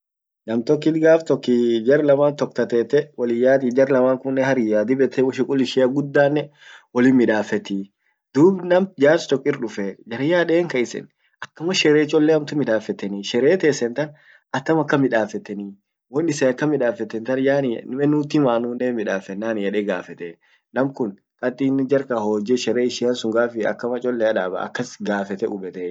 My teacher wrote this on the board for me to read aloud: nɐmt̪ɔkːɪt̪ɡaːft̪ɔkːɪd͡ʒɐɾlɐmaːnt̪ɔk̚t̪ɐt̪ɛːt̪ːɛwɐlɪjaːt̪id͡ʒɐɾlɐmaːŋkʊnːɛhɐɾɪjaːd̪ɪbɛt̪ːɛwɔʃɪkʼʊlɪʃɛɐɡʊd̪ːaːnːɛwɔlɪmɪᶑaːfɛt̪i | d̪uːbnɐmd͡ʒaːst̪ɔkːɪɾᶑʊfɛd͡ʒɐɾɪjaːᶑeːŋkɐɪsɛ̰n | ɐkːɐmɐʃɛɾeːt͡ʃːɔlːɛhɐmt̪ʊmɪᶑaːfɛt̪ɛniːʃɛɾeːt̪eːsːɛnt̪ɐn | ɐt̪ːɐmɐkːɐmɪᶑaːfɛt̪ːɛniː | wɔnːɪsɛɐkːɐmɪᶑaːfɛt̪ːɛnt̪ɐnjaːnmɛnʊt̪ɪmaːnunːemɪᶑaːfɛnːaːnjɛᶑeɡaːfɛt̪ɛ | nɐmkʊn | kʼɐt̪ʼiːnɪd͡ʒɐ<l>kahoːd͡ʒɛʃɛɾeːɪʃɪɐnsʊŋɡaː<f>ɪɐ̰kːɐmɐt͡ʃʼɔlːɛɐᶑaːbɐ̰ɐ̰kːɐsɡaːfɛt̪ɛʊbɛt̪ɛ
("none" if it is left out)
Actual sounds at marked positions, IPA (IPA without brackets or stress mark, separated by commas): ɾ, f